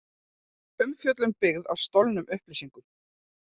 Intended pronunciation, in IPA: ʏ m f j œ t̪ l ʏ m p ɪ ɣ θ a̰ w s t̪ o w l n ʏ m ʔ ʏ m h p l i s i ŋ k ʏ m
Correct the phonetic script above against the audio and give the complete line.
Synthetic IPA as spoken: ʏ m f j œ t̪ l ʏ m p ɪ ɣ ð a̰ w s t̪ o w l n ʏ m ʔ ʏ h p l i s i ŋ k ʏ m